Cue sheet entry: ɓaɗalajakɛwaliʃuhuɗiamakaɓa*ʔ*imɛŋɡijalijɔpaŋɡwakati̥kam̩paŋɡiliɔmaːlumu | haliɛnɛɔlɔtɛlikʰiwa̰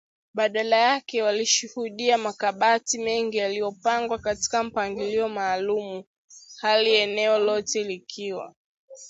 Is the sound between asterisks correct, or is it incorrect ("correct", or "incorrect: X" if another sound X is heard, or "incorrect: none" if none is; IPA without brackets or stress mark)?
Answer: incorrect: t